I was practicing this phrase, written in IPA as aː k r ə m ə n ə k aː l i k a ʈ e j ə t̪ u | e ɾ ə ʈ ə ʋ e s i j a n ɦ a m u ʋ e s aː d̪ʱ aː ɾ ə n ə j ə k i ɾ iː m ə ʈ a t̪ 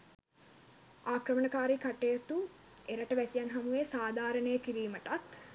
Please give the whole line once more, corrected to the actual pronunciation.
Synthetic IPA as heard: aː k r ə m ə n ə k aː ɾ i k a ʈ e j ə t̪ u | e ɾ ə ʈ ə ʋ æ s i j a n ɦ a m u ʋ e s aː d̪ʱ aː ɾ ə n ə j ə k i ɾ iː m ə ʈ a t̪